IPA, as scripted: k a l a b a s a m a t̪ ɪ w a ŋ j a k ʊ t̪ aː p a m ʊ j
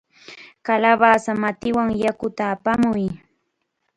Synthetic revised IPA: k a l a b a s a m a t̪ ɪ w a ŋ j a k ʊ t̪ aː p a m ʊ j